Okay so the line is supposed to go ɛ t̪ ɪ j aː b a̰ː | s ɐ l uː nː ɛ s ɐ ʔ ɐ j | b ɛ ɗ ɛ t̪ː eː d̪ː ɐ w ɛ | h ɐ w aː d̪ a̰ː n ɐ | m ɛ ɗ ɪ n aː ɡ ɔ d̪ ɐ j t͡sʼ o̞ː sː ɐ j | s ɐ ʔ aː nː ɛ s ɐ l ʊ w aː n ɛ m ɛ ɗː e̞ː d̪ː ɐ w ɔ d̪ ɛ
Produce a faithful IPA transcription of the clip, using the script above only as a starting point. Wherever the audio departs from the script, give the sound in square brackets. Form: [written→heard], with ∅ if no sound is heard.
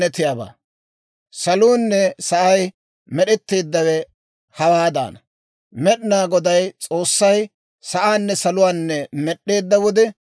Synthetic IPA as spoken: ɛ t̪ ɪ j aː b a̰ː | s ɐ l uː nː ɛ s ɐ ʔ ɐ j | [b→m] ɛ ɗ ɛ t̪ː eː d̪ː ɐ w ɛ | h ɐ w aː d̪ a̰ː n ɐ | m ɛ ɗ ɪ n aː ɡ ɔ d̪ ɐ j t͡sʼ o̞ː sː ɐ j | s ɐ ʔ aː nː ɛ s ɐ l ʊ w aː [n→nː] ɛ m ɛ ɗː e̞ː d̪ː ɐ w ɔ d̪ ɛ